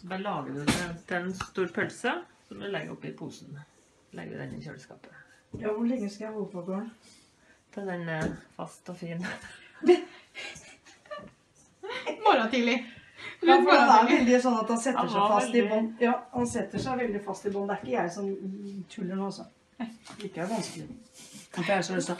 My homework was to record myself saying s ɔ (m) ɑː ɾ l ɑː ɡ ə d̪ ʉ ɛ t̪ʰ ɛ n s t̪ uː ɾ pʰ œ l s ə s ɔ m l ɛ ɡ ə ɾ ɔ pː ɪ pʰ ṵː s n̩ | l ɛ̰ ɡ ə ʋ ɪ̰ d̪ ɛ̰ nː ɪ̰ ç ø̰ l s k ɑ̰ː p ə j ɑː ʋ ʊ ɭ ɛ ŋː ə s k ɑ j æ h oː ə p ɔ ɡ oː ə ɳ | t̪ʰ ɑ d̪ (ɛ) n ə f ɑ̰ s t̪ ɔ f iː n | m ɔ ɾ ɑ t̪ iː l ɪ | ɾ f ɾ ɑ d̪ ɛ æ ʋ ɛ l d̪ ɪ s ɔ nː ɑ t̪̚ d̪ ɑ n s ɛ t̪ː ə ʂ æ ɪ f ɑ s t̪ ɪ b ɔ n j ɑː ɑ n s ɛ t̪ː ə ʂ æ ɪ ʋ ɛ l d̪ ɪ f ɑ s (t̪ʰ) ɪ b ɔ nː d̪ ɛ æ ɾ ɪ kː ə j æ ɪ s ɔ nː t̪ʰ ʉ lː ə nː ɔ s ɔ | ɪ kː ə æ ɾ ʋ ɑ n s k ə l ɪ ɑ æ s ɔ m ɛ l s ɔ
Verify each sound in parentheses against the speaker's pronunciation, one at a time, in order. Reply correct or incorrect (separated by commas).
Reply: incorrect, correct, incorrect